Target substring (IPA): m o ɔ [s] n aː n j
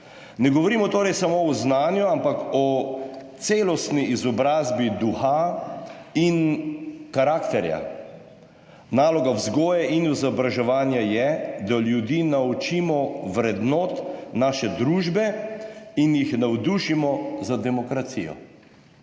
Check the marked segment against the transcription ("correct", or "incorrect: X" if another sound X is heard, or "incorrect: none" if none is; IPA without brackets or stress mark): incorrect: z